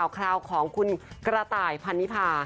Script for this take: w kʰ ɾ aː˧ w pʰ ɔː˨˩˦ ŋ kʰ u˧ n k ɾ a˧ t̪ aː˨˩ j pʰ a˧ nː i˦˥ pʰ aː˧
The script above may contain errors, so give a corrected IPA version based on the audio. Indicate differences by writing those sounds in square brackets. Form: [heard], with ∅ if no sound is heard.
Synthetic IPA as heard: w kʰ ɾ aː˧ w [kʰ] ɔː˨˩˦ ŋ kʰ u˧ n k ɾ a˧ t̪ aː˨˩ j pʰ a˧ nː i˦˥ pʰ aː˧